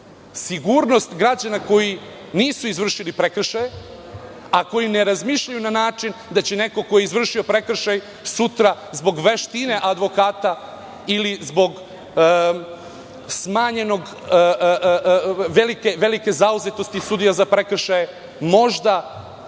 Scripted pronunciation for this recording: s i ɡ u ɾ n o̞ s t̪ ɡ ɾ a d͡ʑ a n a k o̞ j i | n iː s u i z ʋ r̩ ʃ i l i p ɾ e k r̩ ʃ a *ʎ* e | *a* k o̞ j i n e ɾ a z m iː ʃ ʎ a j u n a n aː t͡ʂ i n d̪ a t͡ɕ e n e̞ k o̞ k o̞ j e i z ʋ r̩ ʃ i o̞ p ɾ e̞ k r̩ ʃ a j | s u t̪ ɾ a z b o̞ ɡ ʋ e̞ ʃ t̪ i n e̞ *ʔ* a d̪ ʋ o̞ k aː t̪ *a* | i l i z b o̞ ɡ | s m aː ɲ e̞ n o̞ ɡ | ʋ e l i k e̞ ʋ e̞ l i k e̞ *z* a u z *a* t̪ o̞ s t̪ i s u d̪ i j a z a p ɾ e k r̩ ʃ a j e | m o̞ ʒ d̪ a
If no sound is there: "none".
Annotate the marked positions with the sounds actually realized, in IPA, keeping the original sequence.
j, a, ʔ, a, z, e

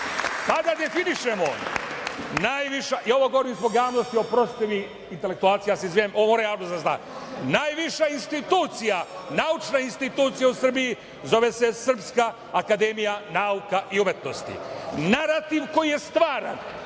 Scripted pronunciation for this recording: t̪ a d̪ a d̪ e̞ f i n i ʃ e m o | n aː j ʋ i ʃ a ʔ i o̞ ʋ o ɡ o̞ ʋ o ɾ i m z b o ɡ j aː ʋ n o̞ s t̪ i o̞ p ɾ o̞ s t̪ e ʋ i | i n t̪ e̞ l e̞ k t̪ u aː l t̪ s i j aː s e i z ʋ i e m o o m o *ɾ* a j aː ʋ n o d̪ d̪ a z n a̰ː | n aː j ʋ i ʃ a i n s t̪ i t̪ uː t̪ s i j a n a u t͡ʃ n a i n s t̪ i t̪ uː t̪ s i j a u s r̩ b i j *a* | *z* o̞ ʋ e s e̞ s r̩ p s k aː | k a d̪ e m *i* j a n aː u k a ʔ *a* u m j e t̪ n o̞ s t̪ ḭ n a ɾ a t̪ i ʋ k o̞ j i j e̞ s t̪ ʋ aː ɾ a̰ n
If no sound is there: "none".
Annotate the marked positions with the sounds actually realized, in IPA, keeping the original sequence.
ɾ, i, z, i, i

